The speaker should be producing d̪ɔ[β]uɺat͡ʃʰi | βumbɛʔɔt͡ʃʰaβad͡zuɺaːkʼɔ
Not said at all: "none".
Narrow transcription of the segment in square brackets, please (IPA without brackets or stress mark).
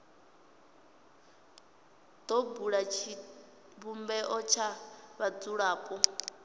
b